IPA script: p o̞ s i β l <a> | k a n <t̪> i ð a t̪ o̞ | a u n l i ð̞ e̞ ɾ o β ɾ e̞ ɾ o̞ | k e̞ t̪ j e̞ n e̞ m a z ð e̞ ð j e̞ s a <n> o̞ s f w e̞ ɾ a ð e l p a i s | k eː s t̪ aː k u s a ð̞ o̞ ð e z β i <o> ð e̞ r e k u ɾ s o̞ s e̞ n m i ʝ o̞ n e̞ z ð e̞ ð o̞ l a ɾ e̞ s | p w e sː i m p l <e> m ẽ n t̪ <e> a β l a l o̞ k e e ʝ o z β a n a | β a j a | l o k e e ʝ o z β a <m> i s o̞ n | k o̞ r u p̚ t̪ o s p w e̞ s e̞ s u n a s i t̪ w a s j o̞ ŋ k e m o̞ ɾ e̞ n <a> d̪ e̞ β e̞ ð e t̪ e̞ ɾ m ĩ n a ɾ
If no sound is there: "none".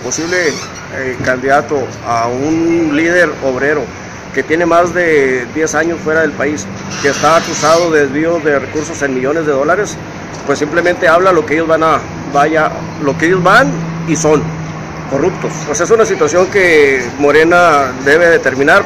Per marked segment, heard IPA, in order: e, d̪, ɲ, o, e, e, n, a

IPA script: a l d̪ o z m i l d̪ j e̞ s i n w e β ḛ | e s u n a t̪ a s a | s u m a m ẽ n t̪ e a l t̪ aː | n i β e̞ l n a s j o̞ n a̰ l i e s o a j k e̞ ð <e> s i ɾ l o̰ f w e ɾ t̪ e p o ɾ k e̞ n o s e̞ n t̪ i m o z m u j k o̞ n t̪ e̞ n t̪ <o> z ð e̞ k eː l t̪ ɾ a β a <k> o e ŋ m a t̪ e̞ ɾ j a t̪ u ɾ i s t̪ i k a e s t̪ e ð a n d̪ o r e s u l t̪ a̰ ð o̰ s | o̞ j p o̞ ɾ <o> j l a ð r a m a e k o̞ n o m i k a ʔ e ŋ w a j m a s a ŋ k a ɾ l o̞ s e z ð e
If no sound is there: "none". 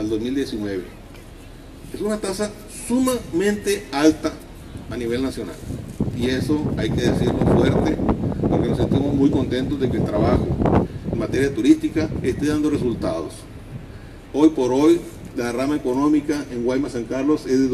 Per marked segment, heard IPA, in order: e, o, x, o

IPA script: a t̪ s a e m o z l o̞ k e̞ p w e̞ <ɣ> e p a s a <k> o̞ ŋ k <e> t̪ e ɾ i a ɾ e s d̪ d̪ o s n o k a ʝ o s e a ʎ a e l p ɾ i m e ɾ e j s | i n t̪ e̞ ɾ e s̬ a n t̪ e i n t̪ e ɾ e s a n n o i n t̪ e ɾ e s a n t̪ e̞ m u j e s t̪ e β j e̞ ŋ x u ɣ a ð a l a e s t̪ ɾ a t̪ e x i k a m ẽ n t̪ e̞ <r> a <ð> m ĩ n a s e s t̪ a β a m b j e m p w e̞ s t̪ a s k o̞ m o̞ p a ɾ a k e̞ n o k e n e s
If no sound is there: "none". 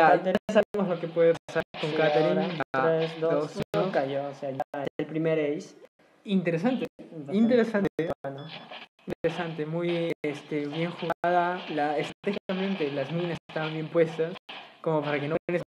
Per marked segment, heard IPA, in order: ð, k, a, l, z

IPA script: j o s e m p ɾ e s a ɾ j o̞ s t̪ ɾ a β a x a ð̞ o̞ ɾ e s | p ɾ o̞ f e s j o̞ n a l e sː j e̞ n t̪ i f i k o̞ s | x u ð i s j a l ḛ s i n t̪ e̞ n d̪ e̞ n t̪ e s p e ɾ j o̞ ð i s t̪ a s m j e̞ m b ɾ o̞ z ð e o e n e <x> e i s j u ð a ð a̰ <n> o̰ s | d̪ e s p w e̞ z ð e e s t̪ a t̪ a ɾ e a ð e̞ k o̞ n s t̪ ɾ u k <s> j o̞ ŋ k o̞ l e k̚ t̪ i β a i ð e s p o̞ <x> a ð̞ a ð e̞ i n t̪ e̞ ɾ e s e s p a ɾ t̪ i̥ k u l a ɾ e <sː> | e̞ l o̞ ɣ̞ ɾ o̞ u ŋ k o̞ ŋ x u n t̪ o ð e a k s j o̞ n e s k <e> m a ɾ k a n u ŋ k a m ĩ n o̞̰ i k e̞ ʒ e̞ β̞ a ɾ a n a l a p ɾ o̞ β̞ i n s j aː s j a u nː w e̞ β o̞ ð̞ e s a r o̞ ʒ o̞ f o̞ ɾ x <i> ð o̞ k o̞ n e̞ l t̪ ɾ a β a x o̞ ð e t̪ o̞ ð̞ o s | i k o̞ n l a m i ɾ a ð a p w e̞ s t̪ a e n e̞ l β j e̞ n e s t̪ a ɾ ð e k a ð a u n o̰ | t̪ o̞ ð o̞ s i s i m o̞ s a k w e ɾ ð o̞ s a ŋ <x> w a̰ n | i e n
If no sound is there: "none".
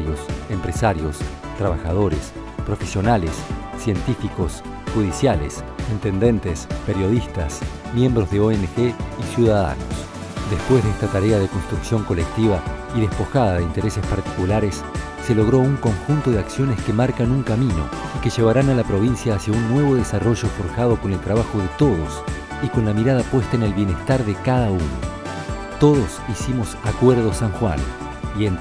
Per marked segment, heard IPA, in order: x, n, s, x, sː, e, a, x

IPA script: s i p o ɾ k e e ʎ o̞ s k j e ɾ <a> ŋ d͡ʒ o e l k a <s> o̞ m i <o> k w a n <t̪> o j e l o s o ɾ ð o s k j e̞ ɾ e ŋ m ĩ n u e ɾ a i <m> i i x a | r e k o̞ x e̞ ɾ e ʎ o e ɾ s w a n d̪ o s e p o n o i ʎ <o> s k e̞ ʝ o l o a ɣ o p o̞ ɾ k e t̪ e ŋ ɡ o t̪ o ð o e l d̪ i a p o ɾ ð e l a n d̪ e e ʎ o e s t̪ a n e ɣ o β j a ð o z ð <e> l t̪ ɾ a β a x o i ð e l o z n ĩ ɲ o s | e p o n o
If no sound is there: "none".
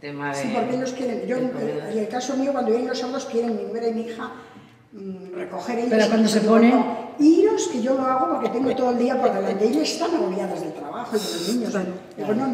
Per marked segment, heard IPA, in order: e, s, o, d̪, m, o, e

